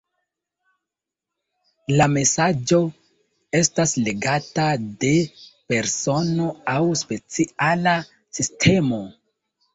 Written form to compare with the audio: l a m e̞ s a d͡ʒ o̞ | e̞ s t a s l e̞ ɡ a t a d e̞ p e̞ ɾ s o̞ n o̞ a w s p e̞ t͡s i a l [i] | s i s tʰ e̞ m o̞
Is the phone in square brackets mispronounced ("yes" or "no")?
yes